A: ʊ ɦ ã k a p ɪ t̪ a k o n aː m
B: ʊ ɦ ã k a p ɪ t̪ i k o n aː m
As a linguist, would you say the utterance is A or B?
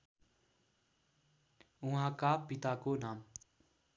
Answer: A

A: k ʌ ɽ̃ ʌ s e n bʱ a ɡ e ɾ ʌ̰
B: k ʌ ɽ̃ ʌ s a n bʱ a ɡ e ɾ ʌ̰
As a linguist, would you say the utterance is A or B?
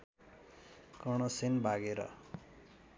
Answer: A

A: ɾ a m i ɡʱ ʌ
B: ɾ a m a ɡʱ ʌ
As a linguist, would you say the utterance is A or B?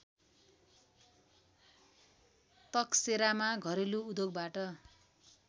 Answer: B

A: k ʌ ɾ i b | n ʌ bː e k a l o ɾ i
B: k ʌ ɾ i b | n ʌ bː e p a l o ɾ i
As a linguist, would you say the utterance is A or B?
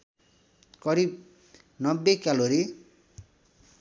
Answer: A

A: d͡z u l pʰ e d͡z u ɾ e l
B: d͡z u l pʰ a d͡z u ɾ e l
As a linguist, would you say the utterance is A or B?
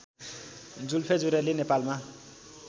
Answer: A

